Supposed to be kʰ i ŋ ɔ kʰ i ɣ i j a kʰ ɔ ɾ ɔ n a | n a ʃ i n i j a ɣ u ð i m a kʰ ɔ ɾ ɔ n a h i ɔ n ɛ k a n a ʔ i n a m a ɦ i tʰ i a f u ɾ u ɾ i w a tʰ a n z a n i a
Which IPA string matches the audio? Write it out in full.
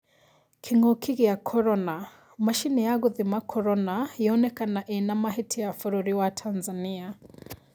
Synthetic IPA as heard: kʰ i ŋ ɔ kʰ i ɣ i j a kʰ ɔ ɾ ɔ n a | m a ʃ i n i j a ɣ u ð i m a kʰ ɔ ɾ ɔ n a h i ɔ n ɛ k a n a ʔ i n a m a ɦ i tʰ i a f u ɾ u ɾ i w a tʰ a n z a n i a